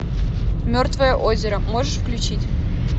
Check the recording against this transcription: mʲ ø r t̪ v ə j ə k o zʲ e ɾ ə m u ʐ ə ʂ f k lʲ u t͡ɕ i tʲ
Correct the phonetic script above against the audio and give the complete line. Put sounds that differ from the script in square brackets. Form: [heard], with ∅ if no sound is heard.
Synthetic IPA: mʲ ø r t̪ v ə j ə [ʔ] o zʲ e ɾ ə m [o] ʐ ə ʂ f k lʲ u t͡ɕ i tʲ